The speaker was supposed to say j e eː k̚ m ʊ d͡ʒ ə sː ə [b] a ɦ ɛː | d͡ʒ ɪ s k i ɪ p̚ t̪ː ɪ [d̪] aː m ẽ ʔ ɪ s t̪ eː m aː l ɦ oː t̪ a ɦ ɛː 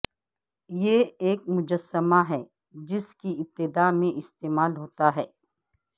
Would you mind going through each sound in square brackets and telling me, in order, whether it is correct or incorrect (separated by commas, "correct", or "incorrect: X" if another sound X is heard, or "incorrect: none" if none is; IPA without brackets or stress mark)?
incorrect: m, correct